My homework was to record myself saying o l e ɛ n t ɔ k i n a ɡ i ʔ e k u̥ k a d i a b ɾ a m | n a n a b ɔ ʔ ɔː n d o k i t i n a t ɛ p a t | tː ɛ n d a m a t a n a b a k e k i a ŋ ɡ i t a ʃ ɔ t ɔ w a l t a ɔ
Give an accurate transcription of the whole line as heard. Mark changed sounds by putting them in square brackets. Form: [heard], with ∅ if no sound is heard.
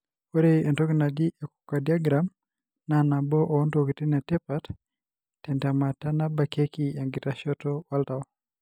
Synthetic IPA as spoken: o [ɾ] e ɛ n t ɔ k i n a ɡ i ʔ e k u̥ k a d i a [ɡ] ɾ a m | n a n a b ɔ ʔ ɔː n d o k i t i n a t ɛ p a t | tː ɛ n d a m a t a n a b a k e k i a ŋ ɡ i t a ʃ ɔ t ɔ w a l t a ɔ